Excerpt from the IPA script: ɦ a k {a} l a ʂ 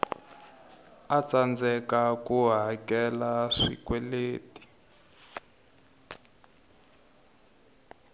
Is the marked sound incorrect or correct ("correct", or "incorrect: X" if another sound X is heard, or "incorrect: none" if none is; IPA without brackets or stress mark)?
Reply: incorrect: ɛ